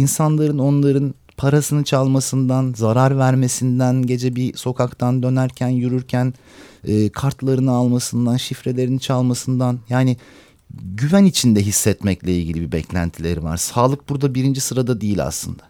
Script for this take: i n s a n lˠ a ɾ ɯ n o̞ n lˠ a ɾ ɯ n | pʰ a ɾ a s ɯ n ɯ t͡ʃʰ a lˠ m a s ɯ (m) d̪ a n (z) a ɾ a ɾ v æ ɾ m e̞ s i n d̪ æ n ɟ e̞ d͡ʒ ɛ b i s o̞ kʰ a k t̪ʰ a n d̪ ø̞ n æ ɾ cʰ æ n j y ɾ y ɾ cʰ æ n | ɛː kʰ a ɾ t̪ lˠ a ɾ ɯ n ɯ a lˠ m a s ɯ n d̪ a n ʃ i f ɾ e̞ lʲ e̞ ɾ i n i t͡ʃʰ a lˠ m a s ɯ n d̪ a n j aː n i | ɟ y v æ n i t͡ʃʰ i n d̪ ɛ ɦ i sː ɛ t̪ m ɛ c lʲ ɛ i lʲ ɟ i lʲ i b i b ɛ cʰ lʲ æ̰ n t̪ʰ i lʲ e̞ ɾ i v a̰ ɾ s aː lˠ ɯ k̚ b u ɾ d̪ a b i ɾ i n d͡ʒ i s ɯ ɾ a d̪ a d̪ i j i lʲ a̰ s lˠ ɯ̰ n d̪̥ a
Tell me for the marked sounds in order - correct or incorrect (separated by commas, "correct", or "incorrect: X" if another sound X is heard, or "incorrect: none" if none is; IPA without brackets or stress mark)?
incorrect: n, correct